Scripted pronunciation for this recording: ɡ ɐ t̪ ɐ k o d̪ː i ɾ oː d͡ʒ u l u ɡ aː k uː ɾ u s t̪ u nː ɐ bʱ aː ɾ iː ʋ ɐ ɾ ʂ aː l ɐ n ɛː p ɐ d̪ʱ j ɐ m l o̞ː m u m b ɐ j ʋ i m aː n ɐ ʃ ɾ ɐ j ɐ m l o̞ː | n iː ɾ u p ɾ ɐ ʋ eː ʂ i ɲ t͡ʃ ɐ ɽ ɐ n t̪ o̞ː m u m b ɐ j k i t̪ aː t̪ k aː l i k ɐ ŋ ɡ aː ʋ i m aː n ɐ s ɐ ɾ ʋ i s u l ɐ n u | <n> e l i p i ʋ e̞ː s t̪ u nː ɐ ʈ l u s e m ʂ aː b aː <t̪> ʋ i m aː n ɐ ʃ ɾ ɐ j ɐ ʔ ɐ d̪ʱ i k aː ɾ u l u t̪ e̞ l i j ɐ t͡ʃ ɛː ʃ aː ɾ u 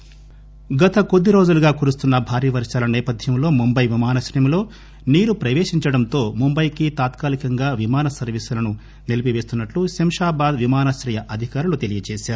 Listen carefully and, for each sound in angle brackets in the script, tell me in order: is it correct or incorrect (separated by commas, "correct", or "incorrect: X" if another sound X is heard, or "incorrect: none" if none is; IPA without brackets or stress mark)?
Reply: correct, incorrect: d̪